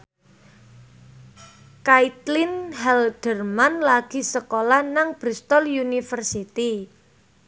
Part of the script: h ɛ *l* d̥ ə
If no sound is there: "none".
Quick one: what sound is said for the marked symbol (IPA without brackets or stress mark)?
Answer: l